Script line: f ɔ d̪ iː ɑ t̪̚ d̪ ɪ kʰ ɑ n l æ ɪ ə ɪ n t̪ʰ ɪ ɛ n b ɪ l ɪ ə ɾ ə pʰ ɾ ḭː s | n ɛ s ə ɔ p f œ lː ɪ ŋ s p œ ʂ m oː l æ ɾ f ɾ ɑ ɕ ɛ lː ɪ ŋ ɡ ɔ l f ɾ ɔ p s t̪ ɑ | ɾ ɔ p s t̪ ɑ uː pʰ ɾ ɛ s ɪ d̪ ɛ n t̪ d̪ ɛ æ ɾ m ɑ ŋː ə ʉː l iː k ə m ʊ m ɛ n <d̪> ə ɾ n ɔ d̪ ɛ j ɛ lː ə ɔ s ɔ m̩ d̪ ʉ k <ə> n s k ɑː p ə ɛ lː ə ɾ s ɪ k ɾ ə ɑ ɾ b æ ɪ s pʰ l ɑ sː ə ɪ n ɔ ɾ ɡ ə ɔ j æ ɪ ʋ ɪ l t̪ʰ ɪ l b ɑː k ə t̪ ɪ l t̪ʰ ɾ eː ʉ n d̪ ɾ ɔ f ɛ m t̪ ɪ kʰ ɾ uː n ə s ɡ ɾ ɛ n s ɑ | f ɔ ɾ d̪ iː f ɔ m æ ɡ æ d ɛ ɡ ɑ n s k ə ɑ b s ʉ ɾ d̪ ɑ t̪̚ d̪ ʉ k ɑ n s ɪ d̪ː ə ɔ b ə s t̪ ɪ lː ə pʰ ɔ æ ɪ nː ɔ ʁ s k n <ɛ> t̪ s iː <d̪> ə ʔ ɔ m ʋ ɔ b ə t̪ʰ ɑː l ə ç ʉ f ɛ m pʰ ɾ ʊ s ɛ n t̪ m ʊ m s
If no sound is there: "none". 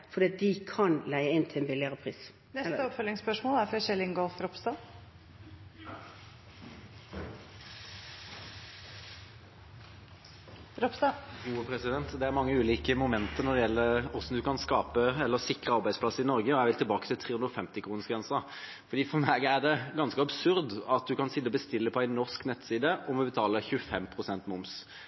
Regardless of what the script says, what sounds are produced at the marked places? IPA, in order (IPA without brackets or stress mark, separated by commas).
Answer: t̪, ɑ, ɛ, d̪